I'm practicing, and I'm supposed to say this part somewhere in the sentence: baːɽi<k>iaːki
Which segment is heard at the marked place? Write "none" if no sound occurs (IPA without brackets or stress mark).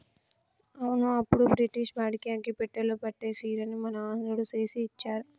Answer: k